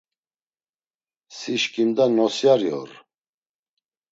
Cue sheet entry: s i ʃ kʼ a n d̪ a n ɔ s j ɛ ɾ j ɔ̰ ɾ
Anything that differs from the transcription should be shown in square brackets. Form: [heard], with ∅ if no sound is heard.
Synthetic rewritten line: s i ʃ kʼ [i] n d̪ a n ɔ s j [a] ɾ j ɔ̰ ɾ